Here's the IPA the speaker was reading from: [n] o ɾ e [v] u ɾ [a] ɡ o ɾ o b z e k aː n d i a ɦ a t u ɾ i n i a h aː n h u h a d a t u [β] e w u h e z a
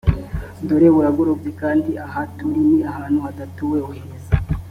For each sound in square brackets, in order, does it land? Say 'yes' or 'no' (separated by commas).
no, no, yes, no